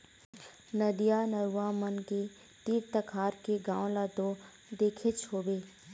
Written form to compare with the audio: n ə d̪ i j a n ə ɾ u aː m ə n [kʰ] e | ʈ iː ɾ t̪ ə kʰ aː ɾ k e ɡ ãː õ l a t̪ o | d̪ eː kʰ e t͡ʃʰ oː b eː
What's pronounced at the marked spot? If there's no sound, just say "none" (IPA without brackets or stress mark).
k